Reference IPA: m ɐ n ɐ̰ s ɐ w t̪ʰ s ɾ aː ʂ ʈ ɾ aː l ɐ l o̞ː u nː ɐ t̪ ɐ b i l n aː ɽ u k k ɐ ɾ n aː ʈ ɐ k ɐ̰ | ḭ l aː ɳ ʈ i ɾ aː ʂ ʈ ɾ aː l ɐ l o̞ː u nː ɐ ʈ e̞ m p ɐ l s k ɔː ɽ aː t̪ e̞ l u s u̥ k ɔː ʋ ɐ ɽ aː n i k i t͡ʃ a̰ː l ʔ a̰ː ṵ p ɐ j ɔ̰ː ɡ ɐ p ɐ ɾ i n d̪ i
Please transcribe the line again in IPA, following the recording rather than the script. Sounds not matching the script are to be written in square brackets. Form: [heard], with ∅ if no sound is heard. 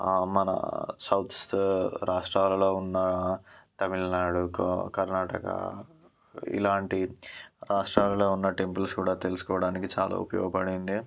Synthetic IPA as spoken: m ɐ n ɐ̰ s ɐ w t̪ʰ s ɾ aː ʂ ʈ ɾ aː l ɐ l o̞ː u nː ɐ t̪ ɐ [m] i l n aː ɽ u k k ɐ ɾ n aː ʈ ɐ k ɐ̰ | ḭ l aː ɳ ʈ i ɾ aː ʂ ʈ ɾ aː l ɐ l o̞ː u nː ɐ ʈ e̞ m p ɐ l s k [uː] ɽ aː t̪ e̞ l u s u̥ k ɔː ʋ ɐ ɽ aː n i k i t͡ʃ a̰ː l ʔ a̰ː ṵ p ɐ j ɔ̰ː ɡ ɐ p ɐ [ɽ] i n d̪ i